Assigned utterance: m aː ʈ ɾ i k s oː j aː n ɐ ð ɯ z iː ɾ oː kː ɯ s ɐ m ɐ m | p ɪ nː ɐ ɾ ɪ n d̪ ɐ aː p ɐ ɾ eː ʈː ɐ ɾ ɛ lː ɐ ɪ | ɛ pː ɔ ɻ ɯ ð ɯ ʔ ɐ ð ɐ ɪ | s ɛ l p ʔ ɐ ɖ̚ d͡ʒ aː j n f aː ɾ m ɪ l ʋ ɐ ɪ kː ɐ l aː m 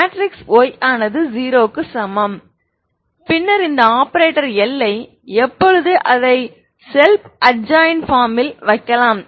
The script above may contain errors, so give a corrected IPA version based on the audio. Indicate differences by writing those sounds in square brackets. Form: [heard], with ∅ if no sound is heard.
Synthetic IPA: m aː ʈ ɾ [ɪ] k s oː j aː n ɐ ð ɯ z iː ɾ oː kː ɯ s ɐ m ɐ m | p ɪ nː ɐ ɾ ɪ n d̪ ɐ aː p ɐ ɾ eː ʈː ɐ ɾ ɛ lː ɐ ɪ | ɛ pː ɔ ɻ ɯ ð ɯ ʔ ɐ ð ɐ ɪ | s ɛ l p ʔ ɐ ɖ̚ d͡ʒ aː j n f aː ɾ m ɪ l ʋ ɐ ɪ kː ɐ l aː m